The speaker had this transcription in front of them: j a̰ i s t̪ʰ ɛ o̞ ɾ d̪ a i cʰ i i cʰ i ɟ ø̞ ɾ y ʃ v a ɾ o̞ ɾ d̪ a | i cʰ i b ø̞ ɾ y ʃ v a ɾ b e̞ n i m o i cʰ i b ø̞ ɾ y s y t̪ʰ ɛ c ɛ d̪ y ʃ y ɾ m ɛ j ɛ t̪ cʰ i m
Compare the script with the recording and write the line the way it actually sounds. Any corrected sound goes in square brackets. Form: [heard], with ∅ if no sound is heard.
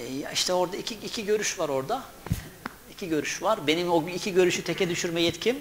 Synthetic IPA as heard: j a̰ i [ʃ] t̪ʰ ɛ o̞ ɾ d̪ a i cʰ i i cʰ i ɟ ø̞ ɾ y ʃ v a ɾ o̞ ɾ d̪ a | i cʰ i [ɟ] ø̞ ɾ y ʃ v a ɾ b e̞ n i m o i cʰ i [ɟ] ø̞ ɾ y [ʃ] y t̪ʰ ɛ c ɛ d̪ y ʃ y ɾ m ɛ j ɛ t̪ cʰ i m

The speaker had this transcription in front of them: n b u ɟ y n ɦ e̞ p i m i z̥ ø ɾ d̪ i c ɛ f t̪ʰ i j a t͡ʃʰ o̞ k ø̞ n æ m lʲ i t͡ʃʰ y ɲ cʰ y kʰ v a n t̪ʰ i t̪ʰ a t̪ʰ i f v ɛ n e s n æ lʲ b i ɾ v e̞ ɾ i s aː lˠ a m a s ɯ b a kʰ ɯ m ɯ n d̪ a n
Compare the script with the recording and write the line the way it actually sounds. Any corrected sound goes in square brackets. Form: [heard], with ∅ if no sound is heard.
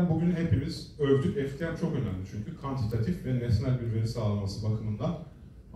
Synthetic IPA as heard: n b u ɟ y n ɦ e̞ p i m i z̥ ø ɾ d̪ [y] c ɛ f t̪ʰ i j a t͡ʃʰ o̞ k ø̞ n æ m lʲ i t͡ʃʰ y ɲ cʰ y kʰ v a n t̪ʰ i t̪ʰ a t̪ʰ i f v ɛ n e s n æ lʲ b i ɾ v e̞ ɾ i s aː lˠ a m a s ɯ b a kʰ ɯ m ɯ n d̪ a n

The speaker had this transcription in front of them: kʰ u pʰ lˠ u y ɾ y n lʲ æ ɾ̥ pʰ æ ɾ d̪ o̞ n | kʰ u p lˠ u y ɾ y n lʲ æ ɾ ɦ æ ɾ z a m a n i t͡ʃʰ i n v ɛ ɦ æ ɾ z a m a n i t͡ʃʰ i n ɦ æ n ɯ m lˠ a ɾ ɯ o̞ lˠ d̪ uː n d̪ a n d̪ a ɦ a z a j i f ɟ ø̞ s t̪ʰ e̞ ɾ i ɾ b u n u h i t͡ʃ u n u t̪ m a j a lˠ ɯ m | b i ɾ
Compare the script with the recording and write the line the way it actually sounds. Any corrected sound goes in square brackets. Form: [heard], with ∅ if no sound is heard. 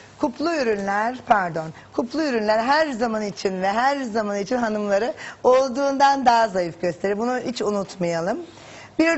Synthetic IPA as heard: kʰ u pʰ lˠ u y ɾ y n lʲ æ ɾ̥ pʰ æ ɾ d̪ o̞ n | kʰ u p lˠ u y ɾ y n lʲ æ ɾ ɦ æ ɾ z a m a n i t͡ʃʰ i n v ɛ ɦ æ ɾ z a m a n i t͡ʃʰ i n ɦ [a] n ɯ m lˠ a ɾ ɯ o̞ lˠ d̪ uː n d̪ a n d̪ a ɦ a z a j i f ɟ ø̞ s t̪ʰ e̞ ɾ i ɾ b u n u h i t͡ʃ u n u t̪ m a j a lˠ ɯ m | b i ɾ

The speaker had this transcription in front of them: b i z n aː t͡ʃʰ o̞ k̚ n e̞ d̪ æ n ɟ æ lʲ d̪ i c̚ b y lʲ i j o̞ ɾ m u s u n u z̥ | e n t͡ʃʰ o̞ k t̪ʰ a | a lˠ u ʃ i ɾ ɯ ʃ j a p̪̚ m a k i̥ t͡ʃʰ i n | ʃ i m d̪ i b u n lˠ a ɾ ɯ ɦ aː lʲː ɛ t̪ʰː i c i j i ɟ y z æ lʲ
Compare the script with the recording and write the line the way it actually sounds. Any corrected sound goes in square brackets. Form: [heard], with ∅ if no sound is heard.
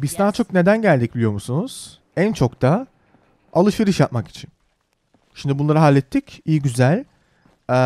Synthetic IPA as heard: b i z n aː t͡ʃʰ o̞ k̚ n e̞ d̪ æ n ɟ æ lʲ d̪ i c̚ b [i] lʲ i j o̞ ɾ m u s u n u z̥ | [æ] n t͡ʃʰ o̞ k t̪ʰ a | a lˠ [ɯ] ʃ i ɾ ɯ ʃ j a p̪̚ m a k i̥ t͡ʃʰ i n | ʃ i m d̪ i b u n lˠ a ɾ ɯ ɦ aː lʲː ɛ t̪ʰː i c i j i ɟ y z æ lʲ

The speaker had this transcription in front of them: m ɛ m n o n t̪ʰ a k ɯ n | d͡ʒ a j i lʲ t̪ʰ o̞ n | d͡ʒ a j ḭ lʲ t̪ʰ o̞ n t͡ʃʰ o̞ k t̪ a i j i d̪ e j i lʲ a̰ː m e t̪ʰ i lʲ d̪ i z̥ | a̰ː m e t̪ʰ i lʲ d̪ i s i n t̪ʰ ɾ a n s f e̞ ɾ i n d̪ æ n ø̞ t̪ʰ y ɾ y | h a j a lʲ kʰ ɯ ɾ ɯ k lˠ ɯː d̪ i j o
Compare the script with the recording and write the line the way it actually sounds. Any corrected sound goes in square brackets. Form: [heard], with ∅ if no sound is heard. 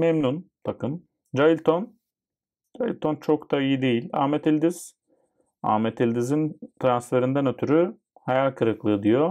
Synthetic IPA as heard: m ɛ m n [u] n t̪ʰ a k ɯ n | d͡ʒ a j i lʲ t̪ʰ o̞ n | d͡ʒ a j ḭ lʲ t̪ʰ o̞ n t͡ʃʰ o̞ k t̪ a i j i d̪ e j i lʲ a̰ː m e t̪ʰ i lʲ d̪ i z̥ | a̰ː m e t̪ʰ i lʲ d̪ i [z] i n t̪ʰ ɾ a n s f e̞ ɾ i n d̪ æ n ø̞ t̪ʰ y ɾ y | h a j a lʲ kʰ ɯ ɾ ɯ k lˠ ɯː d̪ i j o

